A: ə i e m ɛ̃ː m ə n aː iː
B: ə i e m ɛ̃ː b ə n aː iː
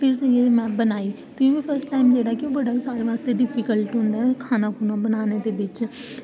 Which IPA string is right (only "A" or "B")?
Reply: B